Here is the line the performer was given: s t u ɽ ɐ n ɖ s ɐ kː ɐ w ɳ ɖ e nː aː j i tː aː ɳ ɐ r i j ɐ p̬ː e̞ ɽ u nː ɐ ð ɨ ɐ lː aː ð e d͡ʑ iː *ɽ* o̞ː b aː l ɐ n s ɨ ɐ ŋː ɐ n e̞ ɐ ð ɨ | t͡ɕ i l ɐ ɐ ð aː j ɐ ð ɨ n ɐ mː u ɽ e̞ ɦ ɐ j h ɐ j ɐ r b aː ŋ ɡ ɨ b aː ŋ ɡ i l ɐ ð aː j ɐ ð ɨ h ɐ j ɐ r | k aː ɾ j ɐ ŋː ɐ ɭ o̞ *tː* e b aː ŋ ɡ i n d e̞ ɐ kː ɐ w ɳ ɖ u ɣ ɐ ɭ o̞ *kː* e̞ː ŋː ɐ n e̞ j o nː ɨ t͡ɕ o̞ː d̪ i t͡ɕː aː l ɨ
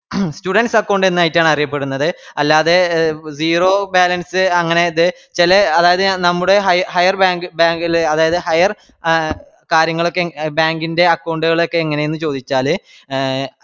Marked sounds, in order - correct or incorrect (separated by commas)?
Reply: incorrect, incorrect, correct